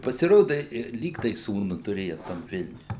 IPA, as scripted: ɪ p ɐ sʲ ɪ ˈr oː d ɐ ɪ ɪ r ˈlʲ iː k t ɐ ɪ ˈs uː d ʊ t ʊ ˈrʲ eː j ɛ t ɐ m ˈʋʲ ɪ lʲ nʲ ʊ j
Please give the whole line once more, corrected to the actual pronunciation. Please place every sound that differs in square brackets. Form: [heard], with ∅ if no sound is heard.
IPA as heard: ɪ p ɐ sʲ ɪ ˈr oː d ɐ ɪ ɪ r ˈlʲ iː k t ɐ ɪ ˈs uː [n] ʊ t ʊ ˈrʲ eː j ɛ t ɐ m ˈʋʲ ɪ lʲ nʲ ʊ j

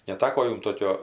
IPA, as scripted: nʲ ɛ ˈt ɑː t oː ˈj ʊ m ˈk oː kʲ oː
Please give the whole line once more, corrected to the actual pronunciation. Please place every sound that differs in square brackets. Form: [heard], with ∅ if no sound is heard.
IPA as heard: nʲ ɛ ˈt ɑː [k] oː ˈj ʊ m [ˈt] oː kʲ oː

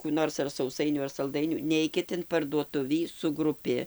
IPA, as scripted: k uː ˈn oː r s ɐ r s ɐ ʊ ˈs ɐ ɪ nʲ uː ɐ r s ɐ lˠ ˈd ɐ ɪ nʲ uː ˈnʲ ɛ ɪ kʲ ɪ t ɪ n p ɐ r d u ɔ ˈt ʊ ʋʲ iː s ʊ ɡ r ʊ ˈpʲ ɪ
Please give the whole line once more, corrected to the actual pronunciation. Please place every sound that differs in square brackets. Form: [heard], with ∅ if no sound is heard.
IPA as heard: k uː ˈn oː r s ɐ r s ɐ ʊ ˈs ɐ ɪ nʲ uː ɐ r s ɐ lˠ ˈd ɐ ɪ nʲ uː ˈnʲ ɛ ɪ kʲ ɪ t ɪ n p ɐ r d u ɔ ˈt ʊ ʋʲ iː s ʊ ɡ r ʊ ˈpʲ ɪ

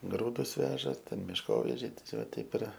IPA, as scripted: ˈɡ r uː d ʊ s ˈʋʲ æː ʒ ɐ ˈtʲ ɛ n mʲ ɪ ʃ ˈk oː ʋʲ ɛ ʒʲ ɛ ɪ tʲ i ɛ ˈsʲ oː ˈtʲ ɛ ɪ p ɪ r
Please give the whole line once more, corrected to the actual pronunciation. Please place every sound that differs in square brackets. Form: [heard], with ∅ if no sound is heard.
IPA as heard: ˈɡ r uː d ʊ s ˈʋʲ æː ʒ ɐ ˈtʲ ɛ n mʲ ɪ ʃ ˈk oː ʋʲ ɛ ʒʲ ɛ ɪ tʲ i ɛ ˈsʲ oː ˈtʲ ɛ ɪ p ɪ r

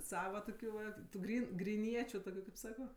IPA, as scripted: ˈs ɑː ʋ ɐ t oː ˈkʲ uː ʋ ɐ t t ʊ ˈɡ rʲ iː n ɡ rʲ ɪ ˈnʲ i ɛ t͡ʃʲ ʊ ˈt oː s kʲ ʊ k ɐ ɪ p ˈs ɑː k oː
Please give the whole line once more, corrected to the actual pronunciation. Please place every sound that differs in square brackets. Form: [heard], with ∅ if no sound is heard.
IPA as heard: ˈs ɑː ʋ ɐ t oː ˈkʲ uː ʋ ɐ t t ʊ ˈɡ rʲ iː n ɡ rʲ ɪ ˈnʲ i ɛ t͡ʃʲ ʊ ˈt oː [∅] kʲ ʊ k ɐ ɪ p ˈs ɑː k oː

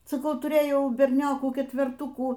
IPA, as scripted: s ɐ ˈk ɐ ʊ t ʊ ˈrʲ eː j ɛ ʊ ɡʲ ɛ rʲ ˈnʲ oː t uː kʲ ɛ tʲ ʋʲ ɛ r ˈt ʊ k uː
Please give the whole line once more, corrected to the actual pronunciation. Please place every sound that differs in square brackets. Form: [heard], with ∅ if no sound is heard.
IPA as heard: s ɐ ˈk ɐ ʊ t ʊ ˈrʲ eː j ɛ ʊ [bʲ] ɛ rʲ ˈnʲ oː [k] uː kʲ ɛ tʲ ʋʲ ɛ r ˈt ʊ k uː

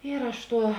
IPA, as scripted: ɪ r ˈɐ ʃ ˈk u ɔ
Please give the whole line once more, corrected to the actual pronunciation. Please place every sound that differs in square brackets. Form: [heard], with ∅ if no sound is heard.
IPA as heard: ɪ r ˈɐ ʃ [ˈt] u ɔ

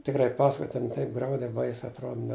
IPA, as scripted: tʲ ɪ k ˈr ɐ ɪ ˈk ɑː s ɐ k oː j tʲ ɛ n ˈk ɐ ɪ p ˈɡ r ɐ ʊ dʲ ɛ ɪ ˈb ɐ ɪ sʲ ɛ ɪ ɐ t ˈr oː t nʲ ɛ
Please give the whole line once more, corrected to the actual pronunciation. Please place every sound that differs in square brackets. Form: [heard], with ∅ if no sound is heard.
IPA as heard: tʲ ɪ k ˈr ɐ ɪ [ˈp] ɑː s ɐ k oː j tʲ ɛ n [ˈt] ɐ ɪ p ˈɡ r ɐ ʊ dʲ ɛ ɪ ˈb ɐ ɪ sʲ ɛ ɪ ɐ t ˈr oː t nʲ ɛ

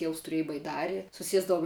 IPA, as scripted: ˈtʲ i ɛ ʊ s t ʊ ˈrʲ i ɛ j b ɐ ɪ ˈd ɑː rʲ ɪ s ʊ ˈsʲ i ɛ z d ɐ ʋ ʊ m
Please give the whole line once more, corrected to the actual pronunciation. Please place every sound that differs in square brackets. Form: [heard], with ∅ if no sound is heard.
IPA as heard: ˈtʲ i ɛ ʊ s t ʊ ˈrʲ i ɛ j b ɐ ɪ ˈd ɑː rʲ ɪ s ʊ ˈsʲ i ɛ z d ɐ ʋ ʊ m

